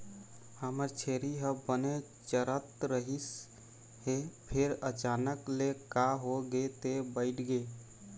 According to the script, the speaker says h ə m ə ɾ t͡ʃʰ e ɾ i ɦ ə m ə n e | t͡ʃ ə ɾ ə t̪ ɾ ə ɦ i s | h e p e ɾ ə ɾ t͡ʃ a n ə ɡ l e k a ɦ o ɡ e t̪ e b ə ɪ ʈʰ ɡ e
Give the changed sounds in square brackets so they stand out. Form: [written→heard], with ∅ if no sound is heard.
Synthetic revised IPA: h ə m ə ɾ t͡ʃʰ e ɾ i ɦ ə [m→b] ə n e | t͡ʃ ə ɾ ə t̪ ɾ ə ɦ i s | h e [p→pʰ] e ɾ ə [ɾ→∅] t͡ʃ a n ə [ɡ→k] l e k a ɦ o ɡ e t̪ e b ə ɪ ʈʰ ɡ e

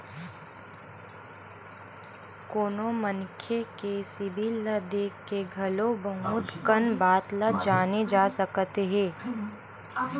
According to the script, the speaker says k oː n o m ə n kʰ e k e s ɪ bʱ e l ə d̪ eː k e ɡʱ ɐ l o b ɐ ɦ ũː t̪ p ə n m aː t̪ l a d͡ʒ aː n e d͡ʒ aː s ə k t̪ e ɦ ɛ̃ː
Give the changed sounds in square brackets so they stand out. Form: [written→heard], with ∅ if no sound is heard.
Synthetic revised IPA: k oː n o m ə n kʰ e k e s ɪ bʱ [e→i] l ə d̪ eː k e ɡʱ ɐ l o b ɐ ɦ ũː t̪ [p→k] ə n [m→b] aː t̪ l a d͡ʒ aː n e d͡ʒ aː s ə k t̪ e ɦ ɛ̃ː

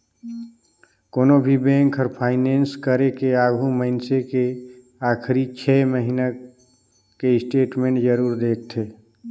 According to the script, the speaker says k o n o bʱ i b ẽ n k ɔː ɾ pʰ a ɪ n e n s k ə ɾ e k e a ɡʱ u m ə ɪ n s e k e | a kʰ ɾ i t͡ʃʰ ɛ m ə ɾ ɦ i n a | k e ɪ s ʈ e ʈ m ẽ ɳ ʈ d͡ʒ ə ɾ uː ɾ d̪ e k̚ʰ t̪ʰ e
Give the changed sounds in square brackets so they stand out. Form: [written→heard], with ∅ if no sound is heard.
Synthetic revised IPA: k o n o bʱ i b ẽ [n→ŋ] k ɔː ɾ pʰ a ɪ n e n s k ə ɾ e k e a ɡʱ u m ə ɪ n s e k e | a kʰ ɾ i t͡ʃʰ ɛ m ə [ɾ→∅] ɦ i n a | k e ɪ s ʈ e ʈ m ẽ ɳ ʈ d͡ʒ ə ɾ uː ɾ d̪ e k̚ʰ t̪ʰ e

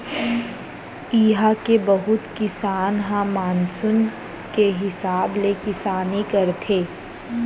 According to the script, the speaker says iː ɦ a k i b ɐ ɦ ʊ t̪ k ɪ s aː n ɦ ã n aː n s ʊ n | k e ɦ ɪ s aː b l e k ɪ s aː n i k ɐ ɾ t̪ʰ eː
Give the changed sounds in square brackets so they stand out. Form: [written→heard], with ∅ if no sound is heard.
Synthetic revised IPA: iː ɦ a k [i→e] b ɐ ɦ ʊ t̪ k ɪ s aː n ɦ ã [n→m] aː n s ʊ n | k e ɦ ɪ s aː b l e k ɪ s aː n i k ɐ ɾ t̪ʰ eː

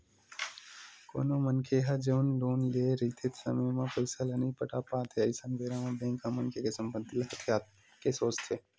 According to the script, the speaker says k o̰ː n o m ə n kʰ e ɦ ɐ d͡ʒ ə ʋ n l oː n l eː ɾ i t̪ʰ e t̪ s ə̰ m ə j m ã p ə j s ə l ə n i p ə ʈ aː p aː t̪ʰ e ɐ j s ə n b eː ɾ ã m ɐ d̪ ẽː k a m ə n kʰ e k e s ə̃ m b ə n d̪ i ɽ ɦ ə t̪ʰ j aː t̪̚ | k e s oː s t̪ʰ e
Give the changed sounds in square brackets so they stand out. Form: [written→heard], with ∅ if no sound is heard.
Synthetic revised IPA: k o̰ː n o m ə n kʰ e ɦ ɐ d͡ʒ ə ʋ n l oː n l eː ɾ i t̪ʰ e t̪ s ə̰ m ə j m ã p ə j s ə l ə n i p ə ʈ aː p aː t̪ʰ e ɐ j s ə n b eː ɾ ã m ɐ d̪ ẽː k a m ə n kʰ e k e s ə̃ m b ə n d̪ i [ɽ→l] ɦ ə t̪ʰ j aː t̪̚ | k e s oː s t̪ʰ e

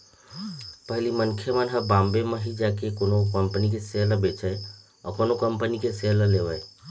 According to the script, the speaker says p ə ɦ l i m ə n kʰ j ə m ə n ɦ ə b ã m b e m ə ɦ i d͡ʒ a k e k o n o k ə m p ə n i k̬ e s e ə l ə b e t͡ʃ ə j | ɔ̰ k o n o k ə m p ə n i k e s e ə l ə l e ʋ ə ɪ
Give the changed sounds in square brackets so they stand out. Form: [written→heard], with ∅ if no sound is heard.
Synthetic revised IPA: p ə ɦ l i m ə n kʰ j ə m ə n ɦ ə b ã m b e m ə ɦ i d͡ʒ a k e k o n o k ə m p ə n i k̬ e s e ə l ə b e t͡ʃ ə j | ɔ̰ k o n o k ə m p ə n i k e s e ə l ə l e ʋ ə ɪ

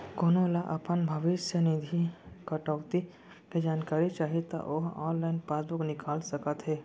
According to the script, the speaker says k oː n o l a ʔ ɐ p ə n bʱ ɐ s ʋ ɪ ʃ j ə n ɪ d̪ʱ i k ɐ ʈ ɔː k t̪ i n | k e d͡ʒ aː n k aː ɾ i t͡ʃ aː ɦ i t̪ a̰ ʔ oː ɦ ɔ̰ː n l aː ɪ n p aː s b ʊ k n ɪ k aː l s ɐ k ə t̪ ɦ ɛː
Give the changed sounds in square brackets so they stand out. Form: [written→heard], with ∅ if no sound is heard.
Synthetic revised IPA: k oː n o l a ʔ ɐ p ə n bʱ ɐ [s→∅] ʋ ɪ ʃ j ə n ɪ d̪ʱ i k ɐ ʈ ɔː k t̪ i [n→∅] | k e d͡ʒ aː n k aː ɾ i t͡ʃ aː ɦ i t̪ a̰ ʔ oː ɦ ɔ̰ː n l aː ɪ n p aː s b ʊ k n ɪ k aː l s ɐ k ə t̪ ɦ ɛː

